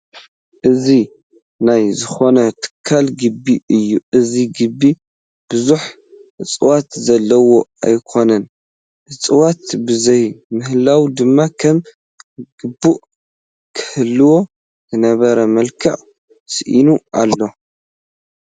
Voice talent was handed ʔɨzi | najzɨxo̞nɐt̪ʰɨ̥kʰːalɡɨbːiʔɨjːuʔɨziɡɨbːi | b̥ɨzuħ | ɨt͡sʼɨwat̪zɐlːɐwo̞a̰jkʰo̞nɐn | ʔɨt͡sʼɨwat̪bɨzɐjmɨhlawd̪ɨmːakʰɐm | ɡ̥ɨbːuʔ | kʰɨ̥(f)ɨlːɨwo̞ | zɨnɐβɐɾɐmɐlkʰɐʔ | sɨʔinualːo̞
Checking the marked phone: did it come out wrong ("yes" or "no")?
yes